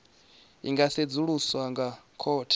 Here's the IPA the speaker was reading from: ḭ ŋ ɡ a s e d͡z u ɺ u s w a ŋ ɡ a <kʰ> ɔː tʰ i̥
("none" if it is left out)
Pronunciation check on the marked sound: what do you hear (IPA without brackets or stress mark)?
kʰ